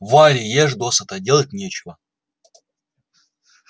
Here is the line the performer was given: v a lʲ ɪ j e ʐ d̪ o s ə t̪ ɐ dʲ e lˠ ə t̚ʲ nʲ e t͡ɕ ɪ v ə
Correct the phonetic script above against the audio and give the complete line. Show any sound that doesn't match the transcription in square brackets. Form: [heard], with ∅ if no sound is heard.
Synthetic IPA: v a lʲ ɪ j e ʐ d̪ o s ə t̪ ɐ dʲ e lˠ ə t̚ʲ nʲ e t͡ɕ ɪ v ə